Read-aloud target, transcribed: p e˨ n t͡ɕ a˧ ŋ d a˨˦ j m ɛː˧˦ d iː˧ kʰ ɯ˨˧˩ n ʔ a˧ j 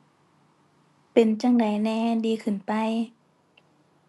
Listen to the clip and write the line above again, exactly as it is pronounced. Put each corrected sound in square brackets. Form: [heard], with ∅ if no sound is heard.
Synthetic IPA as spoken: p e˨ n t͡ɕ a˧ ŋ d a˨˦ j [n] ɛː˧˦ d iː˧ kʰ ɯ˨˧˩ n [p] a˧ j